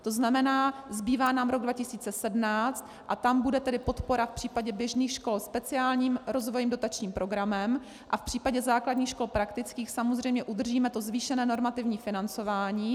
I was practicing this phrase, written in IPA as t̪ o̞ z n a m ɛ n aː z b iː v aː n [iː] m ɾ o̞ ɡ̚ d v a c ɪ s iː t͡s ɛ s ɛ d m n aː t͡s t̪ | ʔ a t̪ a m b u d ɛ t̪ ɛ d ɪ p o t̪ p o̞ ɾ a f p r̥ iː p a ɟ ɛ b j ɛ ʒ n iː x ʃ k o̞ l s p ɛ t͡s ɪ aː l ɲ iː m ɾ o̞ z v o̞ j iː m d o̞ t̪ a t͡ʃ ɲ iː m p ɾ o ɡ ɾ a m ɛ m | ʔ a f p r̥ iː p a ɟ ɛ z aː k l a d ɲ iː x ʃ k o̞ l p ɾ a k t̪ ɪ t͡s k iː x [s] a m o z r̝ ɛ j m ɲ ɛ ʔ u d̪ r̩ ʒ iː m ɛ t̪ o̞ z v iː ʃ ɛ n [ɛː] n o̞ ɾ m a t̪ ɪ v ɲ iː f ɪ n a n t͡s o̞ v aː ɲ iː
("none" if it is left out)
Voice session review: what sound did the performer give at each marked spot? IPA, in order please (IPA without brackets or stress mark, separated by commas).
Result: aː, s, ɛː